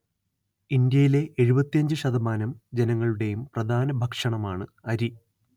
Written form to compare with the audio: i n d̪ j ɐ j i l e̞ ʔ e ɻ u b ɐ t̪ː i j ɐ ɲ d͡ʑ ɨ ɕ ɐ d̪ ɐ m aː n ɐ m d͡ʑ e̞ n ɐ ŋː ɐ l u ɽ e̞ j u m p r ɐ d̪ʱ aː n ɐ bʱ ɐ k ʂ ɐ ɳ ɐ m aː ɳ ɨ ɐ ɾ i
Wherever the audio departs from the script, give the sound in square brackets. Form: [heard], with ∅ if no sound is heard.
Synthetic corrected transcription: i n d̪ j ɐ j i l e̞ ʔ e ɻ u b ɐ t̪ː i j ɐ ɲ d͡ʑ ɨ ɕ ɐ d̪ ɐ m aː n ɐ m d͡ʑ e̞ n ɐ ŋː ɐ [ɭ] u ɽ e̞ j u m p r ɐ d̪ʱ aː n ɐ bʱ ɐ k ʂ ɐ ɳ ɐ m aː ɳ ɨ ɐ ɾ i